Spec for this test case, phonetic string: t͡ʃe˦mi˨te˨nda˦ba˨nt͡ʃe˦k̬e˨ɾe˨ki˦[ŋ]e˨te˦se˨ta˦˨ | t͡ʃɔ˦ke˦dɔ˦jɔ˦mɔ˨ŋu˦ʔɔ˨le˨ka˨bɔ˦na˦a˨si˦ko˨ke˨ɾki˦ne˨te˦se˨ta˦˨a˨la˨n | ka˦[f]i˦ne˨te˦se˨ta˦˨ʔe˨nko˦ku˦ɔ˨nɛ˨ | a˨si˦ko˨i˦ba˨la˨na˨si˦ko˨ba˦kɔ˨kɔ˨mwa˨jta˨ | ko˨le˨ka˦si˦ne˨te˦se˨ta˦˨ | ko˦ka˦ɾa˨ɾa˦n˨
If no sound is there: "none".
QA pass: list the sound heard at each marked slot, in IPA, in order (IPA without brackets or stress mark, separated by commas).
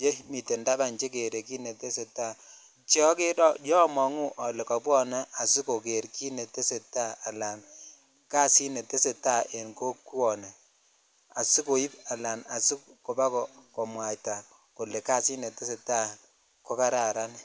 n, s